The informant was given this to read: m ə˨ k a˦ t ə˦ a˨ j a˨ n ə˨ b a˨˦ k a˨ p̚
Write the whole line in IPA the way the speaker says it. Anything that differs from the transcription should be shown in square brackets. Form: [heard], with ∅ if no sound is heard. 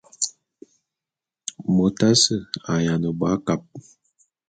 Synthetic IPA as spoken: m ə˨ [t] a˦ [s] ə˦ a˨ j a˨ n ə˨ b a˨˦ k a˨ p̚

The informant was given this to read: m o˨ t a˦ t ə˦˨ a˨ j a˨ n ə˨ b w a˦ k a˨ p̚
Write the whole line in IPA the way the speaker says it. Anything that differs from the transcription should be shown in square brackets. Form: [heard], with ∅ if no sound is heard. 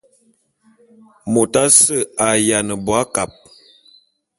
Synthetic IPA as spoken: m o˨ t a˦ [s] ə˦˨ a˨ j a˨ n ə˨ b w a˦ k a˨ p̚

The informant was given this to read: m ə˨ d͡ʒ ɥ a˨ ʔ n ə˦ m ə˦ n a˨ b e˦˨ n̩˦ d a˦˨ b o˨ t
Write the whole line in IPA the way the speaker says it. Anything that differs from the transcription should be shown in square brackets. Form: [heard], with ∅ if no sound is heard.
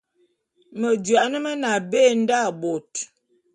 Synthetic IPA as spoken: m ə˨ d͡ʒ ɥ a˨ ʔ n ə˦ m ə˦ n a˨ b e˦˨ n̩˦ d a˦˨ b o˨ t

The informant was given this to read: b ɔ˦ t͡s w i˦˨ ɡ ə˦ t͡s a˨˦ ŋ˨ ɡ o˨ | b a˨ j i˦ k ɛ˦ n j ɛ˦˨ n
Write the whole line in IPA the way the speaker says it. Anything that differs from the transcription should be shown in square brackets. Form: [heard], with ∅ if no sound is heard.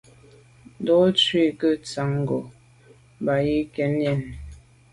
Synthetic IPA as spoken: [d] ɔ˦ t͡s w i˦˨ [k] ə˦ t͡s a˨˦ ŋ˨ ɡ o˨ | b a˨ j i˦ k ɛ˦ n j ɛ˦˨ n

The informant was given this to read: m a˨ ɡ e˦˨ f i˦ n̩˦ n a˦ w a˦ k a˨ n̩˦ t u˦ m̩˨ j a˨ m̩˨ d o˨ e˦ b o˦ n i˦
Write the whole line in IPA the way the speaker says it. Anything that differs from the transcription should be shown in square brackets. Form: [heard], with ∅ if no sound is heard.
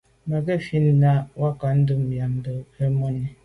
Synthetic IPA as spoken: m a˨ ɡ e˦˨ f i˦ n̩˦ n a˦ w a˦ k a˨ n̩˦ [d] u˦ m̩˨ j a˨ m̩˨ d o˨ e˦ [m] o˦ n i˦

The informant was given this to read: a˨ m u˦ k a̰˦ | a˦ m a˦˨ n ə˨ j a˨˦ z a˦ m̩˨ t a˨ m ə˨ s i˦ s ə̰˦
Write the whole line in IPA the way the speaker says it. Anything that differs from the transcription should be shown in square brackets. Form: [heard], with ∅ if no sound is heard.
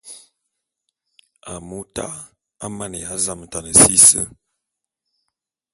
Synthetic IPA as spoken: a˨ m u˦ [t] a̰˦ | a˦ m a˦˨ n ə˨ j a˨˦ z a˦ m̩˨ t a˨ [n] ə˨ s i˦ s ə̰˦

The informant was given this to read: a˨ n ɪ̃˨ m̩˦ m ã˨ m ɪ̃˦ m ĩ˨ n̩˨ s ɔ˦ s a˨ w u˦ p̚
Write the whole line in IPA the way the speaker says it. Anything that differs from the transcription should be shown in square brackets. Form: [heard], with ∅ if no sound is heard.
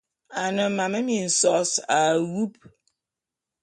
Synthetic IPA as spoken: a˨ n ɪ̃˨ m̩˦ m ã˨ m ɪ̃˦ m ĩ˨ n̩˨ s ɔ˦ s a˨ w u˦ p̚

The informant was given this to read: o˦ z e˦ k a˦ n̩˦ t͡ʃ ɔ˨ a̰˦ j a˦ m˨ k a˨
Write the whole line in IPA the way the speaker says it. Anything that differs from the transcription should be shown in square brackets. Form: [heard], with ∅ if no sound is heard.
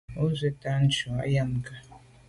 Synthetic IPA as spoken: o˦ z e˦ [t] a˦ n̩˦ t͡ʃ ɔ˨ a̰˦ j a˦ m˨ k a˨

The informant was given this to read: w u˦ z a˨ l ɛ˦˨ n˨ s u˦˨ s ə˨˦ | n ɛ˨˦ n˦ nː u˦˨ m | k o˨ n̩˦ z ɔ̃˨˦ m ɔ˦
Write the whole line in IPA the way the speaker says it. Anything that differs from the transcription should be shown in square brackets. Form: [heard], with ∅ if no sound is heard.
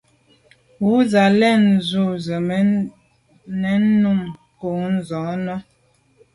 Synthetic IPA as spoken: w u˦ z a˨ l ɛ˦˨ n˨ [z] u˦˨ [z] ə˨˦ | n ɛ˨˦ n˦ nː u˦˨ m | k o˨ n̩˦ z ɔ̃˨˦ [n] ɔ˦

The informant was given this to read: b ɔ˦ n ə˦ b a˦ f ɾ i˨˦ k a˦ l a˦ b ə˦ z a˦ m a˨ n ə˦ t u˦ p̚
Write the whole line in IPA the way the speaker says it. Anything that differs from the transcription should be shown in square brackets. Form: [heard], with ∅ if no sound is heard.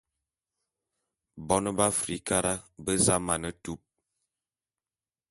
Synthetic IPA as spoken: b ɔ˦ n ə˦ b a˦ f ɾ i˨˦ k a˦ [ɾ] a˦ b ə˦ z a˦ m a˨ n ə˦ t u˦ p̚

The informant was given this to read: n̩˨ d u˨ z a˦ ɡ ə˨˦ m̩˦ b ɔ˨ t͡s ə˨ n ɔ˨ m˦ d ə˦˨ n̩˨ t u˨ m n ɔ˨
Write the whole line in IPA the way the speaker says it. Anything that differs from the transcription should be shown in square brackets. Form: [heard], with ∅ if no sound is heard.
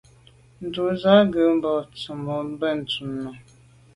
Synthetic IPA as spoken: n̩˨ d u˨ z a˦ ɡ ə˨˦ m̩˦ b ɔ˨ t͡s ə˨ [m] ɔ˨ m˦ [b] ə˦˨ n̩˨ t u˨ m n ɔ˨

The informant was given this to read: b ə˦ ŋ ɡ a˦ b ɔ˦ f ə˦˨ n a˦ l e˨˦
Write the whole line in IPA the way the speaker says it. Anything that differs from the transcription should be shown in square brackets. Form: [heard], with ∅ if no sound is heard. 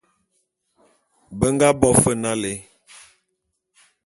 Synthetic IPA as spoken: b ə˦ ŋ ɡ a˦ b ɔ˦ f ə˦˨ n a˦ l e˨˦

